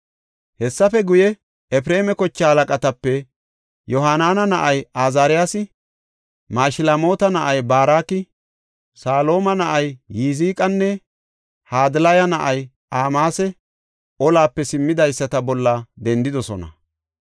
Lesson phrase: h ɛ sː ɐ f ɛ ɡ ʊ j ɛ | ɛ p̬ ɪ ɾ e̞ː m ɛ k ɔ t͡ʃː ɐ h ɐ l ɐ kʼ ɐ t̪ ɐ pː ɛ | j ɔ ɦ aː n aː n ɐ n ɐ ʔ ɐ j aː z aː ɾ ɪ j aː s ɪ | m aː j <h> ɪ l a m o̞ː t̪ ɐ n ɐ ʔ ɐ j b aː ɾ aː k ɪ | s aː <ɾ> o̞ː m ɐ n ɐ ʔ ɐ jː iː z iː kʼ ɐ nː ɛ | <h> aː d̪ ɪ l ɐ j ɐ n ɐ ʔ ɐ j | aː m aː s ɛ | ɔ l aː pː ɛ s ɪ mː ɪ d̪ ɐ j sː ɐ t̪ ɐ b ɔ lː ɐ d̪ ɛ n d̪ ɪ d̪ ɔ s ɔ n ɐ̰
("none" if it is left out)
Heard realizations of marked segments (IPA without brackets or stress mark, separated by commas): ʃ, l, h